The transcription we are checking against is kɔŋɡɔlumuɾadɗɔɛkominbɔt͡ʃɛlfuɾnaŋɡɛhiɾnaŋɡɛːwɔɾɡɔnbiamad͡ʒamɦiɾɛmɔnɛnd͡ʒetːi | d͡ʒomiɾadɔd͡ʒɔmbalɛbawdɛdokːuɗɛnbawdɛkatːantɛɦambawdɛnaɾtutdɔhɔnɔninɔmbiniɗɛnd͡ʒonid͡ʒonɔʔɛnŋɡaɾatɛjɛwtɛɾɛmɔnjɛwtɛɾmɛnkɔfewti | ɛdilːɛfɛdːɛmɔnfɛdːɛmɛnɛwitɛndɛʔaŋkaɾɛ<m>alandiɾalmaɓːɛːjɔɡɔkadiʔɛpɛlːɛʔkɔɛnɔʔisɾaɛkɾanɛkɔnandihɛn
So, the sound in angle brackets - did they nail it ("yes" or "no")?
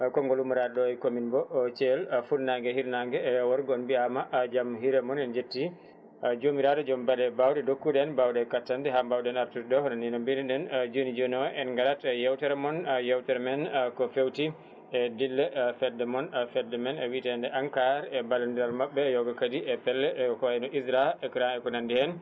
no